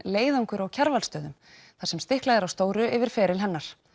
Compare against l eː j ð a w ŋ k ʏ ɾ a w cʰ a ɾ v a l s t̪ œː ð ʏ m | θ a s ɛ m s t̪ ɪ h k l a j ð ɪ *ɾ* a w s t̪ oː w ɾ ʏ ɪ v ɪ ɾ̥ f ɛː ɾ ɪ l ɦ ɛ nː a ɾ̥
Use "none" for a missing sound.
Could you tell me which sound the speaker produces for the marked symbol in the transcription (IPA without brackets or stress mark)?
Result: ɾ